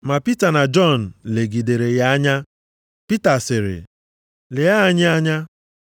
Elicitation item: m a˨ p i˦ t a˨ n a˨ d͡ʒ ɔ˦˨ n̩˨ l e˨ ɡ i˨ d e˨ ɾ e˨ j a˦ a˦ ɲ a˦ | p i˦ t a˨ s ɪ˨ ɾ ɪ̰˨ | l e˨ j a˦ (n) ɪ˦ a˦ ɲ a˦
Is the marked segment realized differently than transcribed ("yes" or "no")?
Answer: yes